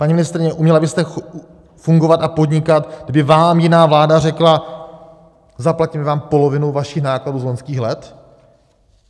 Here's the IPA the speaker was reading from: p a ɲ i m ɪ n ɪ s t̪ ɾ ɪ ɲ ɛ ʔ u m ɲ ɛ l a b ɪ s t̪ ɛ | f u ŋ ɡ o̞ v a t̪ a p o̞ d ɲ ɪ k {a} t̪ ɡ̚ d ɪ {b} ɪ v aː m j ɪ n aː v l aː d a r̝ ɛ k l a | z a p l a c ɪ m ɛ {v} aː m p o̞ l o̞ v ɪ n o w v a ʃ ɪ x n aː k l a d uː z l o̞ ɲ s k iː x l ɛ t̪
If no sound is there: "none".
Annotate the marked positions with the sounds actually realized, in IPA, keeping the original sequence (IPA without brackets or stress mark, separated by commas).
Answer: a, b, v